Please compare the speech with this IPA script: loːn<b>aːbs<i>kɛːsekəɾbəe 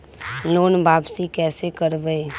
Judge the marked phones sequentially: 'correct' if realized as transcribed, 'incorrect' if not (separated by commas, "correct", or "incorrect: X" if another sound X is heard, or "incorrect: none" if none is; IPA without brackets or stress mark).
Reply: correct, correct